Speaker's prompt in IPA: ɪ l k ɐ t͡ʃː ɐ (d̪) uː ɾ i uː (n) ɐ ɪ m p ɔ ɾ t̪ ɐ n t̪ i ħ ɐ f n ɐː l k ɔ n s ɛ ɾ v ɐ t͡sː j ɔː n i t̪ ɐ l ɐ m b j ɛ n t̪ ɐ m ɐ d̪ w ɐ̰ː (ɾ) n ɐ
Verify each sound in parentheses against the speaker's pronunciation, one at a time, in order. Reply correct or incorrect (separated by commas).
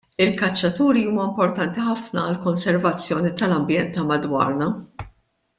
incorrect, incorrect, correct